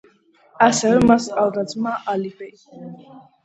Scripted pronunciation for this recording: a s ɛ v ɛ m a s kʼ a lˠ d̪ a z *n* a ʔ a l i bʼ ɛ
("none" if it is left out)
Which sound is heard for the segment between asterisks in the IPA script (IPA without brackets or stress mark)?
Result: m